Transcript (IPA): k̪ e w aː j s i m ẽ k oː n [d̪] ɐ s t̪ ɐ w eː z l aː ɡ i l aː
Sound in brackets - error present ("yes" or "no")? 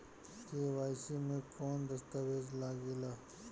no